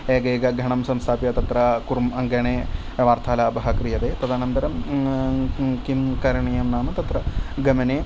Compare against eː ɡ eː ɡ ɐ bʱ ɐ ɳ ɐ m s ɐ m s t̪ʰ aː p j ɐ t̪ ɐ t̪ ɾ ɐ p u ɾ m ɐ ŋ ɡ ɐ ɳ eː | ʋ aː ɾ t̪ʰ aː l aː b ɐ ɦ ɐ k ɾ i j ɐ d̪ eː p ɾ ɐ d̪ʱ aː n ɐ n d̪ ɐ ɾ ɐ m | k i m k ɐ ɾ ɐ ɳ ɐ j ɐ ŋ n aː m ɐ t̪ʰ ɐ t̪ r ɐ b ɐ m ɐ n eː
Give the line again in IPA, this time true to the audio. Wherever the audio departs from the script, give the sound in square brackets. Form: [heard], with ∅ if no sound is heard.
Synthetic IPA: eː ɡ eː ɡ ɐ [ɡʱ] ɐ ɳ ɐ m s ɐ m s t̪ʰ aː p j ɐ t̪ ɐ t̪ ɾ ɐ [k] u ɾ m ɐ ŋ ɡ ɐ ɳ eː | ʋ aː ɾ t̪ʰ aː l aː b ɐ ɦ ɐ k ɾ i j ɐ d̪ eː p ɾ ɐ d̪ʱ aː n ɐ n d̪ ɐ ɾ ɐ m | k i m k ɐ ɾ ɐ ɳ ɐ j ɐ [m] n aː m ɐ [t̪] ɐ t̪ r ɐ [ɡ] ɐ m ɐ n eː